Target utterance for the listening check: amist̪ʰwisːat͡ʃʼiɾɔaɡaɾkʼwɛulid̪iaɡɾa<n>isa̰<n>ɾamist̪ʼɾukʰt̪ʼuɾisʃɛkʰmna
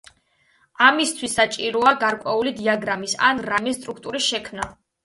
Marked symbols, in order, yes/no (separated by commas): no, yes